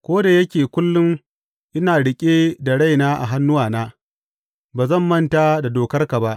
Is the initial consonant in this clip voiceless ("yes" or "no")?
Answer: yes